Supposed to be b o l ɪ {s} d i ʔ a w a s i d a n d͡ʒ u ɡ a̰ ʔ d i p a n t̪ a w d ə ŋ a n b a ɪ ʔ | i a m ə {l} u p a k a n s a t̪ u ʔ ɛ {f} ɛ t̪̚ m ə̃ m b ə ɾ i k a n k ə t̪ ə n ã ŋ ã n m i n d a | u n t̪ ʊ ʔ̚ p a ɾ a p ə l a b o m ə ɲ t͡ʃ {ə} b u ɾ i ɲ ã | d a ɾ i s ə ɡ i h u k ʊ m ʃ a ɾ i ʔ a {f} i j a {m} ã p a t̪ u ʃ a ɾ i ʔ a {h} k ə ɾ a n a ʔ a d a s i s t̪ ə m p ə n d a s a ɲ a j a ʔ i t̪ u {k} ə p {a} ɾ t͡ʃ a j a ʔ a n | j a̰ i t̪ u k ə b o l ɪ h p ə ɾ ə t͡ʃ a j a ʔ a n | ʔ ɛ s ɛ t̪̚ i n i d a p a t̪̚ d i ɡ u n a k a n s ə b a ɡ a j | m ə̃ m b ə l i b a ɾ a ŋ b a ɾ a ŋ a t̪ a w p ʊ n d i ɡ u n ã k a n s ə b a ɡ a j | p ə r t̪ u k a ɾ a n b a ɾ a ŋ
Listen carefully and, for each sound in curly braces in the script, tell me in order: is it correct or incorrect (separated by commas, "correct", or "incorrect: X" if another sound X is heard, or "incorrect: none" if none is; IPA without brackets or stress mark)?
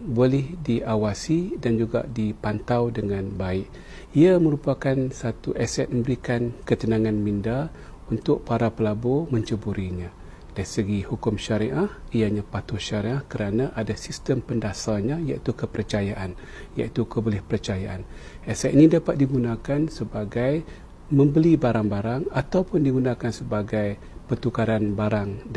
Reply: incorrect: h, incorrect: ɾ, incorrect: s, correct, incorrect: h, incorrect: ɲ, correct, correct, incorrect: ə